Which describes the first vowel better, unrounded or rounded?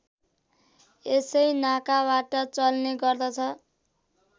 unrounded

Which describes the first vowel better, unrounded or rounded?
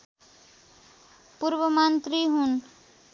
rounded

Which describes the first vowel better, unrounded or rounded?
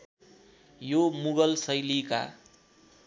rounded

